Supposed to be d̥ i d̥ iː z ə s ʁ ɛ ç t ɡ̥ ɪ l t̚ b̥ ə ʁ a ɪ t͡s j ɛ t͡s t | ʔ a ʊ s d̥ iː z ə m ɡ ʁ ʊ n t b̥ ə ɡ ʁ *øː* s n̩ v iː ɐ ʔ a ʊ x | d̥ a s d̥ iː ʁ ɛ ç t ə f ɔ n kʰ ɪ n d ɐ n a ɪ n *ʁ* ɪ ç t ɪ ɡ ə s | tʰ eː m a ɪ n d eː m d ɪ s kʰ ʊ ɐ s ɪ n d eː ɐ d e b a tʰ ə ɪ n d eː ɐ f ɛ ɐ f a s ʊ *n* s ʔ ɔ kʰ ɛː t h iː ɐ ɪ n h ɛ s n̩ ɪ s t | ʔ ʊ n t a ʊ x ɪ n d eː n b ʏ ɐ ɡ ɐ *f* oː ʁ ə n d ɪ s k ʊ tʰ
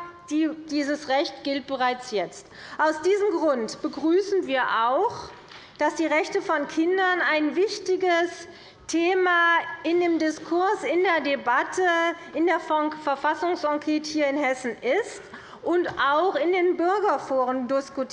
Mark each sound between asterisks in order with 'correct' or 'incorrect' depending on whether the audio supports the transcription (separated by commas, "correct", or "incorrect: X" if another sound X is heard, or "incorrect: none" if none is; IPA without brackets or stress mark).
incorrect: yː, incorrect: v, incorrect: ŋ, correct